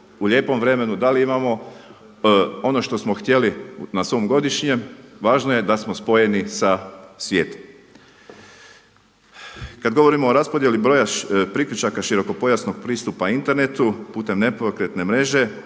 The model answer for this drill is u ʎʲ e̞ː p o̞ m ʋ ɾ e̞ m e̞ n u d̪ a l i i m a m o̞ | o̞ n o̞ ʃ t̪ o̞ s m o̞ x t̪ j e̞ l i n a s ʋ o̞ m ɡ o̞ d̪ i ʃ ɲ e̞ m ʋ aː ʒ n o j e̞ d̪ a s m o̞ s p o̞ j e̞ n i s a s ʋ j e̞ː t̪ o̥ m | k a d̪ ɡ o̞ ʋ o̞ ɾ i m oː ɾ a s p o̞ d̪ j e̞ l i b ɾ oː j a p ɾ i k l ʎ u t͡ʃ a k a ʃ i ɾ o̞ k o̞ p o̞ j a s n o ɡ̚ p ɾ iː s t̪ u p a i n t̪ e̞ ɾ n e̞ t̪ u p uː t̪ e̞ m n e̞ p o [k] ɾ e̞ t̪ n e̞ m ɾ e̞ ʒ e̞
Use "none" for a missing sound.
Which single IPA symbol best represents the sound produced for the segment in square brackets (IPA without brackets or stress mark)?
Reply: k